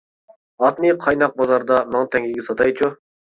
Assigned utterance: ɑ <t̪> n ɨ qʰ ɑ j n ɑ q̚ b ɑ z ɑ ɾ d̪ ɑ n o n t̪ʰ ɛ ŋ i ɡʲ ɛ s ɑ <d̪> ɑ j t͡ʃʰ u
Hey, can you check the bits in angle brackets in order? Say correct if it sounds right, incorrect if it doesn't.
correct, incorrect

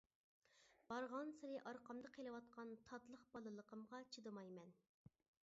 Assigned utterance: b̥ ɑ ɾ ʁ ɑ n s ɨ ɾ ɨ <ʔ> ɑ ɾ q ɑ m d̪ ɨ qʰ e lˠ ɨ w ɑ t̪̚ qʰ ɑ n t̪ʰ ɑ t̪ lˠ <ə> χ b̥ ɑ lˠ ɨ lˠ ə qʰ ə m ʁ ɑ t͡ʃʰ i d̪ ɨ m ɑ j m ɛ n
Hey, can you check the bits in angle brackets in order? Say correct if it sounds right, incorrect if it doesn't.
correct, correct

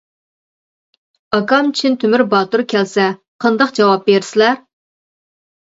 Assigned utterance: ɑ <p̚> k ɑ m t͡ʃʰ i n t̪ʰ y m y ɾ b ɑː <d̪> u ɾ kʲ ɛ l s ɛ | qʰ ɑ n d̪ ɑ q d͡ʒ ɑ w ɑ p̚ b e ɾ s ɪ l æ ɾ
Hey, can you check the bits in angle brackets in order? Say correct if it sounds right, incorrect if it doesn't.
incorrect, incorrect

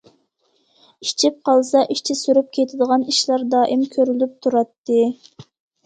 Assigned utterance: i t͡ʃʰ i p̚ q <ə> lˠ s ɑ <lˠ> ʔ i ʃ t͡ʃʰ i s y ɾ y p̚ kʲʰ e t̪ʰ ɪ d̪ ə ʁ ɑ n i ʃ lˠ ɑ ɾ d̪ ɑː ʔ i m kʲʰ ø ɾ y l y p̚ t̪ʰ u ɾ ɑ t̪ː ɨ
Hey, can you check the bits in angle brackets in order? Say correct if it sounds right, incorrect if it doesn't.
incorrect, incorrect

